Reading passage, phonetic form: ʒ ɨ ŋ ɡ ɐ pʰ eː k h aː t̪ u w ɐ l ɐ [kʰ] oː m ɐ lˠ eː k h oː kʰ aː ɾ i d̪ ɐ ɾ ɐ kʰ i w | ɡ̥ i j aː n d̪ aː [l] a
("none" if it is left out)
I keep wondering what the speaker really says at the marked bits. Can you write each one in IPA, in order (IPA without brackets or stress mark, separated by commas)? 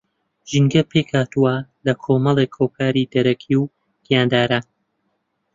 kʰ, ɾ